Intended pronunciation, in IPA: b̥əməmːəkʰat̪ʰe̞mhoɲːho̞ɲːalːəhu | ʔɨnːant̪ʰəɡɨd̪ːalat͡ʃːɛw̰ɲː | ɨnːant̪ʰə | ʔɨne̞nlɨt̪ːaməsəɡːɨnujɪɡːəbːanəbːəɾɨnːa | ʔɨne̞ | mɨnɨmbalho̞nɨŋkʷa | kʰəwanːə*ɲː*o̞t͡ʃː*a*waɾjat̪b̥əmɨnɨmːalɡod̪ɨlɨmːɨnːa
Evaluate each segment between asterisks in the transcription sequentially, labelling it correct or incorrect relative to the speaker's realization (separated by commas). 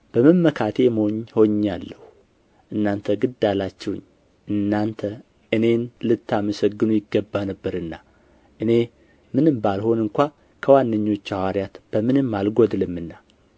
correct, correct